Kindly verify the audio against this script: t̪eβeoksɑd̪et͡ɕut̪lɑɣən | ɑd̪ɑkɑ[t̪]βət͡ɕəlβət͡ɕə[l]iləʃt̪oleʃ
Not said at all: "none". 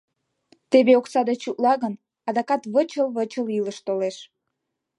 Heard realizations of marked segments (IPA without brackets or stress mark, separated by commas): t̪, l